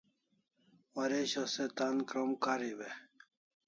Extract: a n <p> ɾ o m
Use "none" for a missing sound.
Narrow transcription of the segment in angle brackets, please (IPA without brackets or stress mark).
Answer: k